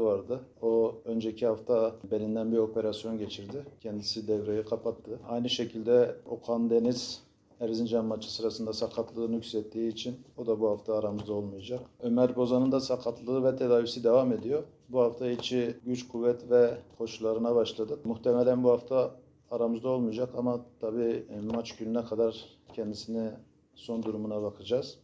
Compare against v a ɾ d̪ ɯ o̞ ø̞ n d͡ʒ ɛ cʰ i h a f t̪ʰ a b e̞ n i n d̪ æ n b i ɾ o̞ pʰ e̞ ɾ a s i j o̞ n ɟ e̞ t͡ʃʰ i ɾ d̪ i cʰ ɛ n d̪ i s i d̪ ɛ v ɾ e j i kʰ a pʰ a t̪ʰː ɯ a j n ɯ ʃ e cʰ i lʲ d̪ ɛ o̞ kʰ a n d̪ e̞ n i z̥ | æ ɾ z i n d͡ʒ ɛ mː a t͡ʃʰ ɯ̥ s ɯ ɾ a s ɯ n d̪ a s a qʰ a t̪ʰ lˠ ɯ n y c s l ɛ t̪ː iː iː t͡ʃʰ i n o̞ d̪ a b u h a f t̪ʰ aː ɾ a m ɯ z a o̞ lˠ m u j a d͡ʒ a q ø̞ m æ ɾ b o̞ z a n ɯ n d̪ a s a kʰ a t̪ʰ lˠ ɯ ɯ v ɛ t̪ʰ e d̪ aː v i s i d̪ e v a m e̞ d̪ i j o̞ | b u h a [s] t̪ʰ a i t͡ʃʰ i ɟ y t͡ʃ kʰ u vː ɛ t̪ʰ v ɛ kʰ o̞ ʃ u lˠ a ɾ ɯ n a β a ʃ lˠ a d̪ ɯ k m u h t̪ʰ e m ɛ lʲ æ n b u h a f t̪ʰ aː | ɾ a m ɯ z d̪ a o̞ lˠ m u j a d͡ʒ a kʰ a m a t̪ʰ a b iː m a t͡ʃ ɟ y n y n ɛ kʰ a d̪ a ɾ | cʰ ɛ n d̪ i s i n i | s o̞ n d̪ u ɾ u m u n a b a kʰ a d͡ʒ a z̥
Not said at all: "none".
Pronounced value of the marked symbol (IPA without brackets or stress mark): f